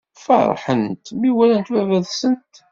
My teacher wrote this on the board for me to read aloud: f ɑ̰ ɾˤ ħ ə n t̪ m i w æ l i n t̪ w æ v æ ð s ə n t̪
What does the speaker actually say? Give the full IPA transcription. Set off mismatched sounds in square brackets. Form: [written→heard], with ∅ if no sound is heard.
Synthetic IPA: f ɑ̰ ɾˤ ħ ə n t̪ m i w æ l [i→æ] n t̪ w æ v æ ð s ə n t̪